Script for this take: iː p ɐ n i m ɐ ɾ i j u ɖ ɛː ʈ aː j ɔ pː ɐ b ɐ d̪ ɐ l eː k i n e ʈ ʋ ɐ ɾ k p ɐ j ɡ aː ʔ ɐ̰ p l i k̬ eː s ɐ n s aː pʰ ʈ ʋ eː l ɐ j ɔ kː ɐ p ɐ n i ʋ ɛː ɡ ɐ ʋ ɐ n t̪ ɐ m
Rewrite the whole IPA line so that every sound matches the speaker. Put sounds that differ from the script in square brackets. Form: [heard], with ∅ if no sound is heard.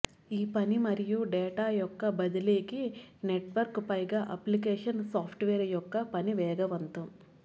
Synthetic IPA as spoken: iː p ɐ n i m ɐ ɾ i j u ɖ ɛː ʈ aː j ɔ [kː] ɐ b ɐ d̪ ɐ l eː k i n e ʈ ʋ ɐ ɾ k p ɐ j ɡ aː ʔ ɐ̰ p l i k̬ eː [ʂ] ɐ n s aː pʰ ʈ ʋ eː [ɾ] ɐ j ɔ kː ɐ p ɐ n i ʋ ɛː ɡ ɐ ʋ ɐ n t̪ ɐ m

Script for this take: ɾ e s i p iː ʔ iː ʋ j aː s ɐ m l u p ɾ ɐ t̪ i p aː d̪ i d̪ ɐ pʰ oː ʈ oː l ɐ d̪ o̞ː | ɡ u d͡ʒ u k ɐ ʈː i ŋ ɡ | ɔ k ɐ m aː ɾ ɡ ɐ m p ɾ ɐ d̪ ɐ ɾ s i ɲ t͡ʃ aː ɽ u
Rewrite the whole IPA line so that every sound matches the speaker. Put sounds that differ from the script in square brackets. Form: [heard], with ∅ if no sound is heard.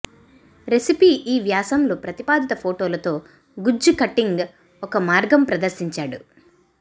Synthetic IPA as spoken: ɾ e s i p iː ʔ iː ʋ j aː s ɐ m l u p ɾ ɐ t̪ i p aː d̪ i [t̪] ɐ pʰ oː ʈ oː l ɐ [t̪] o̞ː | ɡ u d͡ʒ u k ɐ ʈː i ŋ ɡ | ɔ k ɐ m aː ɾ ɡ ɐ m p ɾ ɐ d̪ ɐ ɾ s i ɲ t͡ʃ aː ɽ u

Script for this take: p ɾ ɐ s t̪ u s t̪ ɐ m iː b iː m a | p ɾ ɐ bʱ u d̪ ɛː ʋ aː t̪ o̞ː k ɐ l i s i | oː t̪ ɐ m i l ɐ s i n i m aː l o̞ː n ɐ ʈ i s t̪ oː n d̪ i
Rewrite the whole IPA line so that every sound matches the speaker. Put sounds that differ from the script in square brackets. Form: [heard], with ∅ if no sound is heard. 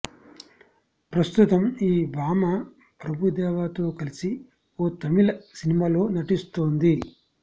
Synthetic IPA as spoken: p ɾ ɐ s t̪ u [∅] t̪ ɐ m iː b [aː] m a | p ɾ ɐ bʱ u d̪ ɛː ʋ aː t̪ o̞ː k ɐ l i s i | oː t̪ ɐ m i l ɐ s i n i m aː l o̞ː n ɐ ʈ i s t̪ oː n d̪ i

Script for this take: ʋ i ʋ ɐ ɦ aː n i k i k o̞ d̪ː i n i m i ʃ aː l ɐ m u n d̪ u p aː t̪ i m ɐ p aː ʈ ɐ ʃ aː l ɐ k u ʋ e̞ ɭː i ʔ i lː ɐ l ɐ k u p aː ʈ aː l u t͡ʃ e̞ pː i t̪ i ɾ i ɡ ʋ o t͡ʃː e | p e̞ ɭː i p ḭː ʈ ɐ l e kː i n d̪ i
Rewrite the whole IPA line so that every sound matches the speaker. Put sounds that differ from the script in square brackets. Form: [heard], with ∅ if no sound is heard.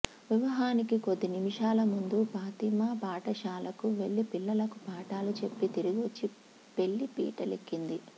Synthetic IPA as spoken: ʋ i ʋ ɐ ɦ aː n i k i k o̞ d̪ː i n i m i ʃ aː l ɐ m u n d̪ u p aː t̪ i m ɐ p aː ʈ ɐ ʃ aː l ɐ k u ʋ e̞ ɭː i [p] i lː ɐ l ɐ k u p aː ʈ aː l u t͡ʃ e̞ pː i t̪ i ɾ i ɡ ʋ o t͡ʃː [i] | p e̞ ɭː i p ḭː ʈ ɐ l e kː i n d̪ i

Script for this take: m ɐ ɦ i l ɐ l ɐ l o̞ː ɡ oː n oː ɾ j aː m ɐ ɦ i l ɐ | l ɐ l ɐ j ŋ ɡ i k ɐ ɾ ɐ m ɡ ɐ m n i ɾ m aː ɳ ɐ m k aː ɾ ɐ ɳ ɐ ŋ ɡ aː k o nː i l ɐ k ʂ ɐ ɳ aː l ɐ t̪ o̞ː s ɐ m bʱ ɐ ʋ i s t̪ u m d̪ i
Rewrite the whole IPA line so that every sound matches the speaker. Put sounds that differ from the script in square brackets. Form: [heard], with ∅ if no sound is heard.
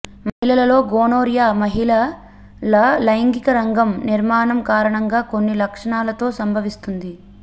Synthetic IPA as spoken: m ɐ ɦ i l ɐ l ɐ l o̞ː ɡ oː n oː ɾ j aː m ɐ ɦ i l ɐ | l ɐ l ɐ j ŋ ɡ i k ɐ ɾ ɐ [ŋ] ɡ ɐ m n i ɾ m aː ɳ ɐ m k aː ɾ ɐ ɳ ɐ ŋ ɡ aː k o nː i l ɐ k ʂ ɐ ɳ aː l ɐ t̪ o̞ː s ɐ m bʱ ɐ ʋ i s t̪ u [n] d̪ i

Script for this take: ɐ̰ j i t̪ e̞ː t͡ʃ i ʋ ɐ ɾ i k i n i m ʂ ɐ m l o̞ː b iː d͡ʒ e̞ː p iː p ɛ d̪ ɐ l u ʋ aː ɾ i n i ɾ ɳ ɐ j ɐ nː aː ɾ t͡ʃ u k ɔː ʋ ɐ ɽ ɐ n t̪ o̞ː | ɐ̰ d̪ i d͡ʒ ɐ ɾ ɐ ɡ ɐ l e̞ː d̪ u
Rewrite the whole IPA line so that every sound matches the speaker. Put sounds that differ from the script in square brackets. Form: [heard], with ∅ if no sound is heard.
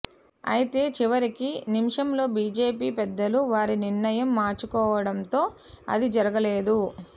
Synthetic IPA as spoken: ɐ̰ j i t̪ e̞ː t͡ʃ i ʋ ɐ ɾ i k i n i m ʂ ɐ m l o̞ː b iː d͡ʒ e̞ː p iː p ɛ [d̪ː] ɐ l u ʋ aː ɾ i n i ɾ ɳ ɐ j ɐ [mː] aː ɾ t͡ʃ u k ɔː ʋ ɐ ɽ ɐ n t̪ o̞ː | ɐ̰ d̪ i d͡ʒ ɐ ɾ ɐ ɡ ɐ l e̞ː d̪ u

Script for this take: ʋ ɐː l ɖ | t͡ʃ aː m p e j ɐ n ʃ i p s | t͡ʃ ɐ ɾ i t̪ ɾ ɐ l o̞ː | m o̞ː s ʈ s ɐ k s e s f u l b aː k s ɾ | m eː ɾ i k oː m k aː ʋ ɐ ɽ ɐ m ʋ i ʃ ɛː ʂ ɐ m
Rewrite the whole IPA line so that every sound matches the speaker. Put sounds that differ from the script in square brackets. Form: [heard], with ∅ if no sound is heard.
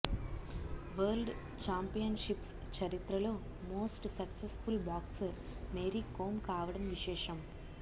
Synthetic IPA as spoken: ʋ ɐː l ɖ | t͡ʃ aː m p [i] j ɐ n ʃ i p s | t͡ʃ ɐ ɾ i t̪ ɾ ɐ l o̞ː | m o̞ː s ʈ s ɐ k s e s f u l b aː k s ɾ | m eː ɾ i k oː m k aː ʋ ɐ ɽ ɐ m ʋ i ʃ ɛː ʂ ɐ m

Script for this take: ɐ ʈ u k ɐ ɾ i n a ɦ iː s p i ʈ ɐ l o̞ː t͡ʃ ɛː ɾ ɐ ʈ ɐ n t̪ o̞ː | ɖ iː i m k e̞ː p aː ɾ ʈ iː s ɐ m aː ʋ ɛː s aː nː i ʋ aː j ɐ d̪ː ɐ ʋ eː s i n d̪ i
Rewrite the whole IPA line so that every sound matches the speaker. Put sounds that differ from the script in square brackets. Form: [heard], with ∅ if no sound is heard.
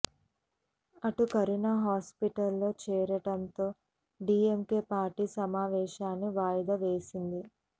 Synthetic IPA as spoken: ɐ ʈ u k ɐ ɾ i n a ɦ [aː] s p i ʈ ɐ [lː] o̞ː t͡ʃ ɛː ɾ ɐ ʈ ɐ n t̪ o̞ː | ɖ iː [e] m k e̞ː p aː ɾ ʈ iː s ɐ m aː ʋ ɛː [ʃ] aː nː i ʋ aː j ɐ [d̪] ɐ ʋ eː s i n d̪ i

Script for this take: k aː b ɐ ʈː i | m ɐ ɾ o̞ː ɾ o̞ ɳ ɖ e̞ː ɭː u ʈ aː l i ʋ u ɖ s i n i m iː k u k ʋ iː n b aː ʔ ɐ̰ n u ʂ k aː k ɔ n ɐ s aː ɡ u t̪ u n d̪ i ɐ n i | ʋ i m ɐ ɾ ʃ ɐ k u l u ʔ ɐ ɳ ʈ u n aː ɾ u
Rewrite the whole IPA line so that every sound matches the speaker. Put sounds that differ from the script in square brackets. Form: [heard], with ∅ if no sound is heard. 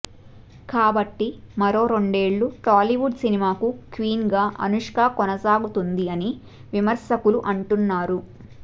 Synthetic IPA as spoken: k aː b ɐ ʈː i | m ɐ ɾ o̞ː ɾ o̞ ɳ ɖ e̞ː ɭː u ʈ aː l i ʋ u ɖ s i n i m [aː] k u k ʋ iː n [ɡ] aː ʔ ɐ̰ n u ʂ k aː k ɔ n ɐ s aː ɡ u t̪ u n d̪ i ɐ n i | ʋ i m ɐ ɾ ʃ ɐ k u l u ʔ ɐ ɳ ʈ u [nː] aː ɾ u

